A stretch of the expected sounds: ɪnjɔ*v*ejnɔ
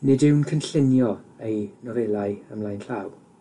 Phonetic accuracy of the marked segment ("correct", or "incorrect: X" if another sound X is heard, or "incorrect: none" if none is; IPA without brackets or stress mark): incorrect: none